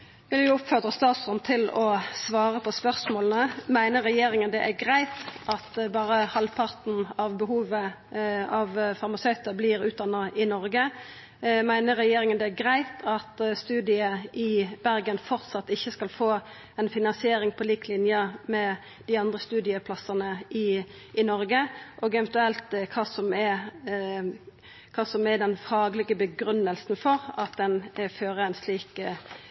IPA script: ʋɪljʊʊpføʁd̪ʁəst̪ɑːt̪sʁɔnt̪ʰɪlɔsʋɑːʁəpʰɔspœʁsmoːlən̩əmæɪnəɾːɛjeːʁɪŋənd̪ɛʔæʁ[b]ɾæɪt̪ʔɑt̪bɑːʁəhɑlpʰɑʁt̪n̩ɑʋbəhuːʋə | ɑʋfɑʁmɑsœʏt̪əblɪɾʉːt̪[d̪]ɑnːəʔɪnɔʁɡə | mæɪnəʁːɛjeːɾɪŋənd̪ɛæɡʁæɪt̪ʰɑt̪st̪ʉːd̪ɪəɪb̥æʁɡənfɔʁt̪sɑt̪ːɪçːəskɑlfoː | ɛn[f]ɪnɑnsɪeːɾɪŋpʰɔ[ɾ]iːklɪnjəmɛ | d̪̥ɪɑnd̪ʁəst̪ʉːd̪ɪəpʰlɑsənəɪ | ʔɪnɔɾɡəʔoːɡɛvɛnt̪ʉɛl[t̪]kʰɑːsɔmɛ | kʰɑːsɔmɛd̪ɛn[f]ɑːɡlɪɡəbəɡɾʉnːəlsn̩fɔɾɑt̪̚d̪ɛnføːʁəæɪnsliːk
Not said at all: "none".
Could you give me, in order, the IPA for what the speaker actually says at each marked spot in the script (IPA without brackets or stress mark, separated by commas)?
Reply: ɡ, d̪, f, l, t̪, f